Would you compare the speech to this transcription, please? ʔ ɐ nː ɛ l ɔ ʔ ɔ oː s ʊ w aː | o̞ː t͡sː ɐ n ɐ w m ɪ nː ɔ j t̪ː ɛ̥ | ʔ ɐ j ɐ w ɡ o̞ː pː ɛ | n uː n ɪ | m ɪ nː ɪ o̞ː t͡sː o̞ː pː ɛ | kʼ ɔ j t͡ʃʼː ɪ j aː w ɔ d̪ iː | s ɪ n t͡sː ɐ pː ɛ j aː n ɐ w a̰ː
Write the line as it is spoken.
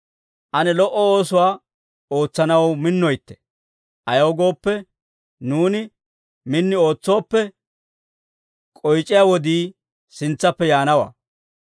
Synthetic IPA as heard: ʔ ɐ n ɛ l ɔ ʔ ɔ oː s ʊ w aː | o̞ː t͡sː ɐ n ɐ w m ɪ nː ɔ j t̪ː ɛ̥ | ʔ ɐ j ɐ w ɡ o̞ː pː ɛ | n uː n ɪ | m ɪ nː ɪ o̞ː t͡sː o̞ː pː ɛ | kʼ ɔ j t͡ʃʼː ɪ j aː w ɔ d̪ iː | s ɪ n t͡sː ɐ pː ɛ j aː n ɐ w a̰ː